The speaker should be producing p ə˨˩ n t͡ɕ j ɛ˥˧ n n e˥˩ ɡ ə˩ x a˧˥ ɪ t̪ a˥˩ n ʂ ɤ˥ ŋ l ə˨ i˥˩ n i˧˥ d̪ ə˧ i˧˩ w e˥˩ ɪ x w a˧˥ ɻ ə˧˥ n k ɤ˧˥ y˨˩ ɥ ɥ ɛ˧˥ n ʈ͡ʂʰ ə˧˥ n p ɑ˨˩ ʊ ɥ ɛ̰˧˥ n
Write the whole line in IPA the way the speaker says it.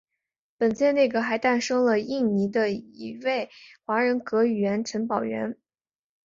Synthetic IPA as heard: p ə˨˩ n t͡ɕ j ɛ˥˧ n n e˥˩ ɡ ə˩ x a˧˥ ɪ t̪ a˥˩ n ʂ ɤ˥ ŋ l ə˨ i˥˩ n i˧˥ d̪ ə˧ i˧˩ w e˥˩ ɪ x w a˧˥ ɻ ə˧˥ n k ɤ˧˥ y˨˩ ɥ ɥ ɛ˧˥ n ʈ͡ʂʰ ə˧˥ n p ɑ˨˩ ʊ ɥ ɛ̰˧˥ n